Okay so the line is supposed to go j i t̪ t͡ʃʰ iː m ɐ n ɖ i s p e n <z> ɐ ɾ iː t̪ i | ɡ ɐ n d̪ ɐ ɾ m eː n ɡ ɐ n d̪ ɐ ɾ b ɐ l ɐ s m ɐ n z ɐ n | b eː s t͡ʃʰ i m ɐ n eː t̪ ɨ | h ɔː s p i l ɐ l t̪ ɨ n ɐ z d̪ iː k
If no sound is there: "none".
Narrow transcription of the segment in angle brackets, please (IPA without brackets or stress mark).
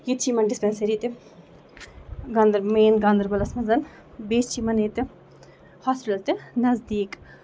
s